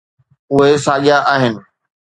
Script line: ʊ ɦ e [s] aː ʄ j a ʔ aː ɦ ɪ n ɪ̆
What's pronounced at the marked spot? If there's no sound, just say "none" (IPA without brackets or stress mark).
s